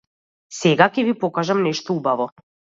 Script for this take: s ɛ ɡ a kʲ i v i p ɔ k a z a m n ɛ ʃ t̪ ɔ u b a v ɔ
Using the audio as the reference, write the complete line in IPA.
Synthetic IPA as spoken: s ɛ ɡ a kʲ ɛ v i p ɔ k a ʒ a m n ɛ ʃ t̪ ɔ u b a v ɔ

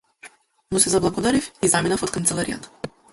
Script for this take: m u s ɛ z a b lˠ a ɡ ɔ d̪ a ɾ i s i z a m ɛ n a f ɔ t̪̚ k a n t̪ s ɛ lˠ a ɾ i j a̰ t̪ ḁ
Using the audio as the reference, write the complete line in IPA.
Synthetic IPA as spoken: m u s ɛ z a b lˠ a ɡ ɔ d̪ a ɾ i f i z a m i n a f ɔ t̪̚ k a n t̪ s ɛ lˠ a ɾ i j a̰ t̪ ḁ

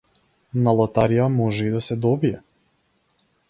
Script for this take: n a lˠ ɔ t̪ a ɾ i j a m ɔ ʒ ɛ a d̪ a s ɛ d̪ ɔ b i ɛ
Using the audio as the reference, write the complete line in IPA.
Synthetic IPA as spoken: n a lˠ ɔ t̪ a ɾ i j a m ɔ ʒ ɛ i d̪ a s ɛ d̪ ɔ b i ɛ

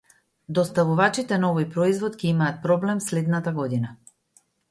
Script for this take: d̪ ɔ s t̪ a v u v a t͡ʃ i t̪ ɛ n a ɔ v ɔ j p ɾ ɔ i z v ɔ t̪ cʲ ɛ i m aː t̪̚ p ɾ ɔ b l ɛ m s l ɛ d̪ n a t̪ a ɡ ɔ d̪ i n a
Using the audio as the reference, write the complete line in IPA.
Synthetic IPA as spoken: d̪ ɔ s t̪ a v u v a t͡ʃ i t̪ ɛ n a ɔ v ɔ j p ɾ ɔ i z v ɔ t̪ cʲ ɛ i m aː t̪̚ p ɾ ɔ b l ɛ m s l ɛ d̪ n a t̪ a ɡ ɔ d̪ i n a

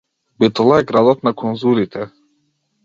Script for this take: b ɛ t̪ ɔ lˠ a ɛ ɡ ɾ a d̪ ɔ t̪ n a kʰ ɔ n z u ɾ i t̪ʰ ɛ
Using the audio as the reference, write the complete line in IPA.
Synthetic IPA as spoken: b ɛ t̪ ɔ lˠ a ɛ ɡ ɾ a d̪ ɔ t̪ n a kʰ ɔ n z u ɾ i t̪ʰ ɛ

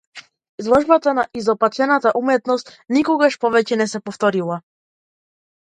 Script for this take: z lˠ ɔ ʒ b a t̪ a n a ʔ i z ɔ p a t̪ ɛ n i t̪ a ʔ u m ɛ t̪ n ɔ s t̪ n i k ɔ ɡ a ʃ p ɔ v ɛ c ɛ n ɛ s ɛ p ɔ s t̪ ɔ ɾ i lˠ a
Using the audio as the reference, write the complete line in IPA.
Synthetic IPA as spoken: z lˠ ɔ ʒ b a t̪ a n a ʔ i z ɔ p a t̪ ɛ n a t̪ a ʔ u m ɛ t̪ n ɔ s t̪ n i k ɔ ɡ a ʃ p ɔ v ɛ c ɛ n ɛ s ɛ p ɔ f t̪ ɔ ɾ i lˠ a

